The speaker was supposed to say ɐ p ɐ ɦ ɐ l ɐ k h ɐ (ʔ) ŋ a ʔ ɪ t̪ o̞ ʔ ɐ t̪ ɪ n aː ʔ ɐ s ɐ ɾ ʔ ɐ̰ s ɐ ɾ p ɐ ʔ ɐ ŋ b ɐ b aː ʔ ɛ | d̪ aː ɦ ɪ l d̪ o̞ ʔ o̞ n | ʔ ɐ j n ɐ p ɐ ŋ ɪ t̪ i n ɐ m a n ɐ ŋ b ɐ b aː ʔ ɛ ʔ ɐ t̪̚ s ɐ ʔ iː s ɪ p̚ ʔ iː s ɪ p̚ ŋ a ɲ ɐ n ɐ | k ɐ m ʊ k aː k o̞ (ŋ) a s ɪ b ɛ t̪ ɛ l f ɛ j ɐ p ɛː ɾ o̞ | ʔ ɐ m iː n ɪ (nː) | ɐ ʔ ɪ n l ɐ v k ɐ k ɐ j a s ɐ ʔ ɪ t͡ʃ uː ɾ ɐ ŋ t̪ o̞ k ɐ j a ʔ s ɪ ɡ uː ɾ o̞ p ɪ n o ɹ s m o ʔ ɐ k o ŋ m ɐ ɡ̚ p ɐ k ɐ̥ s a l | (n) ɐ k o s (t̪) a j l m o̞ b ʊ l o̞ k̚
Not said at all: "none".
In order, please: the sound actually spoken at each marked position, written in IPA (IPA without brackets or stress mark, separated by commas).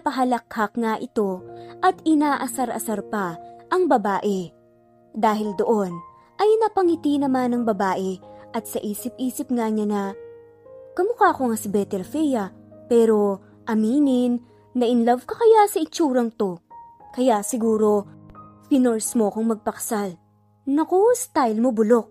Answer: k, ŋ, nː, n, t̪